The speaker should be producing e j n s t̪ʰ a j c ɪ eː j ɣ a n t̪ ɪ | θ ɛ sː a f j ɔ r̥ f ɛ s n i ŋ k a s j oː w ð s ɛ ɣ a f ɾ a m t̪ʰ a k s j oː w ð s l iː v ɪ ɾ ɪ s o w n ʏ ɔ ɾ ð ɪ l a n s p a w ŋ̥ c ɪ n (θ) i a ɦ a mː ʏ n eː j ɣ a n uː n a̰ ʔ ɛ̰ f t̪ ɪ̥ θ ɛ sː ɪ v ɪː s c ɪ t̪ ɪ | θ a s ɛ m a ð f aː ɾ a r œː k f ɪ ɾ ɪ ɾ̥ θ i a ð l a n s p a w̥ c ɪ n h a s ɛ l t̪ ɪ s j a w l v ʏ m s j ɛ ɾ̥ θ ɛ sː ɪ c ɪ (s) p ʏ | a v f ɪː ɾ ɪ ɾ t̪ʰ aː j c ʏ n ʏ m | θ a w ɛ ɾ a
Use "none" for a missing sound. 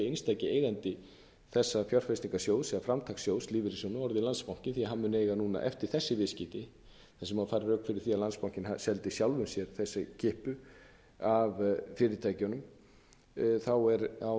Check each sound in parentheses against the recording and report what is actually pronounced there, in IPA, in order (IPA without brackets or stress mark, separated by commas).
θ, h